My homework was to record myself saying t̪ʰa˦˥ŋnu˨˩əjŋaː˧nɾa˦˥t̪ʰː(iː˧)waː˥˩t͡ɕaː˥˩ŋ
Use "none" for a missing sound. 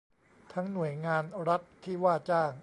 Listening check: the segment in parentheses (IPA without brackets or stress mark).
iː˥˩